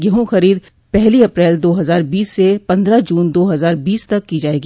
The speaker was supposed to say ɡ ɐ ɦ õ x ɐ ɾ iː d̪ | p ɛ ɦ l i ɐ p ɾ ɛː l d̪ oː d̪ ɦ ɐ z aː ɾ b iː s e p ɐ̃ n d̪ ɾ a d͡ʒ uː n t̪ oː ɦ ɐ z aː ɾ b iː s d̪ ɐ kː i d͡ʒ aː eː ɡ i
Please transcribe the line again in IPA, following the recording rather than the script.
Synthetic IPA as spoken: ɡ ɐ ɦ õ x ɐ ɾ iː d̪ | p ɛ ɦ l i ɐ p ɾ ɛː l d̪ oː ɦ ɐ z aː ɾ b iː sː e p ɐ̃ n d̪ ɾ a d͡ʒ uː n d̪ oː ɦ ɐ z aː ɾ b iː s t̪ ɐ kː i d͡ʒ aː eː ɡ i

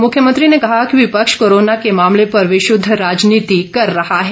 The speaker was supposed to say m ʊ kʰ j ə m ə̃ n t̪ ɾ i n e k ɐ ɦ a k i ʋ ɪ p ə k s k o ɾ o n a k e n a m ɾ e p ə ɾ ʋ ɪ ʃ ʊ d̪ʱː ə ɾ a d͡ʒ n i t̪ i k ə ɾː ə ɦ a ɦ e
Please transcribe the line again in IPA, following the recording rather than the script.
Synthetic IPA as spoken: m ʊ kʰ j ə m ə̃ n t̪ ɾ i n e k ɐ ɦ a k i ʋ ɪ p ə k ʃ k o ɾ o n a k e m a m l e p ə ɾ ʋ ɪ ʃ ʊ d̪ʱː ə ɾ a d͡ʒ n i t̪ i k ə ɾː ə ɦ a ɦ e

